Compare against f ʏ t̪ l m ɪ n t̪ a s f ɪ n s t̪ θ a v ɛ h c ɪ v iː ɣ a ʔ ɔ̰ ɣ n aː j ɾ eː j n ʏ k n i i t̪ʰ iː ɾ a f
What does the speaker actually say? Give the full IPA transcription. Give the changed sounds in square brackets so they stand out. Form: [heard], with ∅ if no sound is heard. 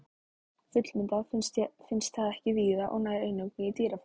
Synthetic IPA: f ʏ t̪ l m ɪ n t̪ a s f ɪ n s t̪ θ a [ð] ɛ h c ɪ v iː [ð] a ʔ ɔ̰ ɣ n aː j ɾ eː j n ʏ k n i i [t̪] iː ɾ a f